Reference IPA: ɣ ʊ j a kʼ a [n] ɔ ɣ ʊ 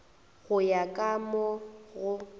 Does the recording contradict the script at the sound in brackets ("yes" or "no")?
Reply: yes